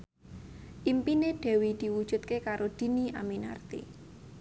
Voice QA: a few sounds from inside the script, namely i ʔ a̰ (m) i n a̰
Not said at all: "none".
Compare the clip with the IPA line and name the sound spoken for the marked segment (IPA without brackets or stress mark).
m